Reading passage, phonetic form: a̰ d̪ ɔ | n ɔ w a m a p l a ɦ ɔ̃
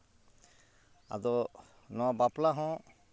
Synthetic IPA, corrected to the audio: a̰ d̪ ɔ | n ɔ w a b a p l a ɦ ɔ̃